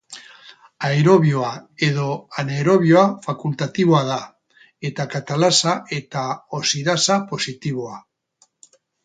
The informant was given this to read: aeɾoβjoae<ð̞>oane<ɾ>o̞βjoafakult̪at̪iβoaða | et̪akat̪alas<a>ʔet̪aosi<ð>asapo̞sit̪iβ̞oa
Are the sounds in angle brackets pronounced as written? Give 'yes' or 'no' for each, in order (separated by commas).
yes, yes, yes, yes